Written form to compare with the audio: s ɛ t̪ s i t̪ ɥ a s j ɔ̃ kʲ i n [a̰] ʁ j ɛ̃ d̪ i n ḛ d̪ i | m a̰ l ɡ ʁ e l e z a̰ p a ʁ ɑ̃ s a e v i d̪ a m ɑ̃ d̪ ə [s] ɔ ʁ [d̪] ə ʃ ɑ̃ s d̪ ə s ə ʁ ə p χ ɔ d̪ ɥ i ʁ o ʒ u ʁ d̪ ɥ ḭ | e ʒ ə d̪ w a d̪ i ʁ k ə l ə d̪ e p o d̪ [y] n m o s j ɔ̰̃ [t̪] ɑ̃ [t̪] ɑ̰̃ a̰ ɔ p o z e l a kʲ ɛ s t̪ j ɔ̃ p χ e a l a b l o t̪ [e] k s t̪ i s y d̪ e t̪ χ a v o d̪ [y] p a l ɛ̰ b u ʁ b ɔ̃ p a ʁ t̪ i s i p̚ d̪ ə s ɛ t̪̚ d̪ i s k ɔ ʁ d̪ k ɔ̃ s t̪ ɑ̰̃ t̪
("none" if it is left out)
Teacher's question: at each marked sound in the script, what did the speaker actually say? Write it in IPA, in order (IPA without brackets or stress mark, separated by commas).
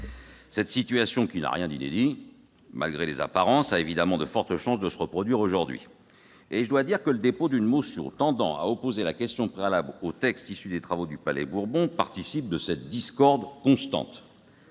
a̰, f, t̪, y, t̪, d̪, ɛ, y